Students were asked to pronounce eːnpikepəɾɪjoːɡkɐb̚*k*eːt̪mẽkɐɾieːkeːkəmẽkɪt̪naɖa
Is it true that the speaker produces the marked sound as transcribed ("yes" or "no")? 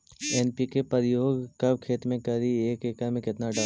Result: no